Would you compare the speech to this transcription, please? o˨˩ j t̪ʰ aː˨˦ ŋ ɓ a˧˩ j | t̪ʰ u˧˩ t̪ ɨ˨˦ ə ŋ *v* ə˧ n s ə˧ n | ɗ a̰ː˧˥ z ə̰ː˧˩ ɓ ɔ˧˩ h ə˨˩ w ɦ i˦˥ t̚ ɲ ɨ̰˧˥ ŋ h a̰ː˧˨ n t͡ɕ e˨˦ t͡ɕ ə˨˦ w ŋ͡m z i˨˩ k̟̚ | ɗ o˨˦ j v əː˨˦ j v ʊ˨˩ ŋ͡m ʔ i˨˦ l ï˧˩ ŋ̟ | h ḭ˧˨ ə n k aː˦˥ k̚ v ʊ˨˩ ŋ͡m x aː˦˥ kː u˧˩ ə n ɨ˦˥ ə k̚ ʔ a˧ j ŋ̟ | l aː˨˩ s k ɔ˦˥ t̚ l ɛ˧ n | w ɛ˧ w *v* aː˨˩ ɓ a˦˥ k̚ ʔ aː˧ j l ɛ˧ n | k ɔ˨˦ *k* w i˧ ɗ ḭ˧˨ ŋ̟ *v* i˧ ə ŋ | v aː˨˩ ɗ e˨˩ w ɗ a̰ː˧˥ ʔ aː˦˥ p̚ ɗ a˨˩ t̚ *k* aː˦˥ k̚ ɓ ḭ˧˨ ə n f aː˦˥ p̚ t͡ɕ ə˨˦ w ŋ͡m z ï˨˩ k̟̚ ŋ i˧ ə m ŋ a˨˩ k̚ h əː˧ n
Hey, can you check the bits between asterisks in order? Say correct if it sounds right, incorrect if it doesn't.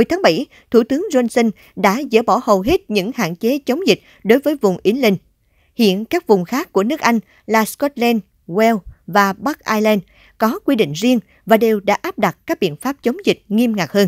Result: incorrect: z, correct, correct, incorrect: z, correct

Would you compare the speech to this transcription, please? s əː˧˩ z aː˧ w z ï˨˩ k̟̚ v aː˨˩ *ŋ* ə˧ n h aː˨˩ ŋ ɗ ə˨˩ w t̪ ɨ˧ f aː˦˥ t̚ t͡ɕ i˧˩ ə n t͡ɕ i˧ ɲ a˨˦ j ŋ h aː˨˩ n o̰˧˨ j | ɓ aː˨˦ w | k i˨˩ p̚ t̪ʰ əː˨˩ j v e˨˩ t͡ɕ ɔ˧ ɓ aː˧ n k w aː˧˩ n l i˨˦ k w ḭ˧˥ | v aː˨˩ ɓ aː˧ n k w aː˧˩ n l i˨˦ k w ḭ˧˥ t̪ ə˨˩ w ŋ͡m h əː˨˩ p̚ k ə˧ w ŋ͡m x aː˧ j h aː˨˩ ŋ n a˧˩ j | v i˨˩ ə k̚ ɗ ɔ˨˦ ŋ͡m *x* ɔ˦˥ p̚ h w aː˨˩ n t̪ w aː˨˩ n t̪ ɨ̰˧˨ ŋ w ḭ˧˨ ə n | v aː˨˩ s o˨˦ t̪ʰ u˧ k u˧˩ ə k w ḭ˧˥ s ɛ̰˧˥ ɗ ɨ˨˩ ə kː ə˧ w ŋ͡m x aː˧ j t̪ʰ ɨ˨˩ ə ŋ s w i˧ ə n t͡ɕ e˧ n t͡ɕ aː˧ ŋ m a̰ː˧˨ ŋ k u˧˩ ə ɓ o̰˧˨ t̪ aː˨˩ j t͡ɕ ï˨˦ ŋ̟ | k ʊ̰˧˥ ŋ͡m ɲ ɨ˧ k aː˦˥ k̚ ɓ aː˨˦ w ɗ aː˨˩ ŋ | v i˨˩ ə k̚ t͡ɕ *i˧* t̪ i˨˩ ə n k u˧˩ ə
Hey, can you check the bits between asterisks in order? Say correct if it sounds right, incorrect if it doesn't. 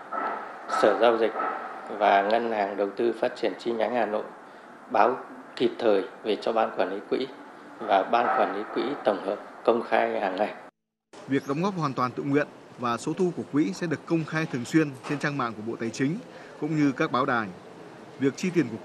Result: correct, incorrect: ɣ, correct

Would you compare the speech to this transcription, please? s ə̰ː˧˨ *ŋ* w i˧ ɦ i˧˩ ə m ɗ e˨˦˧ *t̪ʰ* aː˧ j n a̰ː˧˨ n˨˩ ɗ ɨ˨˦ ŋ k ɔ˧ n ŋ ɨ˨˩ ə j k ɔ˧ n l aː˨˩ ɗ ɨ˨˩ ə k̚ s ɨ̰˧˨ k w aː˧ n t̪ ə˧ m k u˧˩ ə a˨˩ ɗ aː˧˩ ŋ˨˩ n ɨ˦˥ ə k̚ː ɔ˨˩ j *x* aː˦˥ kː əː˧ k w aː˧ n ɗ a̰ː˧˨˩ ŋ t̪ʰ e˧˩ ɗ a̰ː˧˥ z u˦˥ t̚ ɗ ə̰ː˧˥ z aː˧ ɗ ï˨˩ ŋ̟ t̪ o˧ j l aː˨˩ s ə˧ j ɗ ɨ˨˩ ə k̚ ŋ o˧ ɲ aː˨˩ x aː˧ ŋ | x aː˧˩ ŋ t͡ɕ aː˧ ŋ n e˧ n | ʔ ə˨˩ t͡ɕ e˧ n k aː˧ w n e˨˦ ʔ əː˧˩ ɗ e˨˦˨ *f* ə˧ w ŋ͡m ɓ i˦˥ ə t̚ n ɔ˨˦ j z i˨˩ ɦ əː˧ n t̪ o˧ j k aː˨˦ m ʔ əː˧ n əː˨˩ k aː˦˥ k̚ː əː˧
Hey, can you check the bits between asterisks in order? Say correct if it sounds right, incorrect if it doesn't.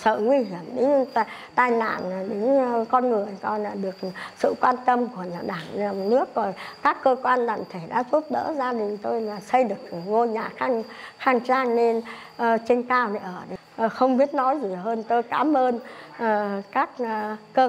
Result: correct, incorrect: t̪, incorrect: k, incorrect: x

